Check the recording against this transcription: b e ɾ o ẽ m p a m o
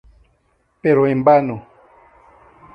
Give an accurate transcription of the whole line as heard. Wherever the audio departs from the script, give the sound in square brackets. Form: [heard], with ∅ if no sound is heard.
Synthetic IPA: [p] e ɾ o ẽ m [b] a [n] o